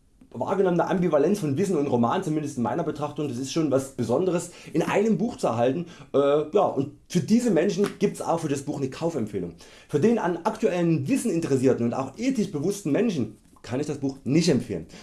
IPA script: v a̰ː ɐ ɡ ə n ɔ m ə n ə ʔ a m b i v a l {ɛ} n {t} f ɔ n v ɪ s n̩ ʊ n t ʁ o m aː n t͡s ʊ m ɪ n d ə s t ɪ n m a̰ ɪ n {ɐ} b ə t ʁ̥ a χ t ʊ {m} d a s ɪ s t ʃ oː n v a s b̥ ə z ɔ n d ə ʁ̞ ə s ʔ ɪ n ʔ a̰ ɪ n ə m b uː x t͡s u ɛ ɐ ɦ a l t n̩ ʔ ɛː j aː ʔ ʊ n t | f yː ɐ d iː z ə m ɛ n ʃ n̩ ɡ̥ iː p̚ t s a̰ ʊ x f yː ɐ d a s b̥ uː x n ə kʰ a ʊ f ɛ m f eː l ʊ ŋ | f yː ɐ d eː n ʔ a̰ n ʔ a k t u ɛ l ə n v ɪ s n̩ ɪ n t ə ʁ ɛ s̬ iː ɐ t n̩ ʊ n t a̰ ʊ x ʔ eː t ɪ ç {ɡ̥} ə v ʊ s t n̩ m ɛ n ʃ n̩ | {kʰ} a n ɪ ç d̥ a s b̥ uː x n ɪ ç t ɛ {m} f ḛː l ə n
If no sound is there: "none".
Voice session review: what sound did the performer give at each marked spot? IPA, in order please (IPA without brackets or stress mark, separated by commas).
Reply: ɛ, t͡s, ɐ, ŋ, b̥, kʰ, m